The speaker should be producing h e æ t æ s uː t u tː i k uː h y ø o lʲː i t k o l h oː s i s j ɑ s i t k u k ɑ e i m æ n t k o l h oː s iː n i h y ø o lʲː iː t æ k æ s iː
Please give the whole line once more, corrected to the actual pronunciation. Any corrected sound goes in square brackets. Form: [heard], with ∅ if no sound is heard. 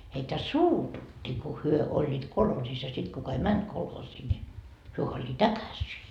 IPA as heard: h e [i] t æ s uː t u tː i k [u] h y ø o lʲː [iː] t k o l h oː s i s j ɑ s i t k u k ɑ e i m æ n t k o l h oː s iː n i h y ø o lʲː iː t æ k æ s iː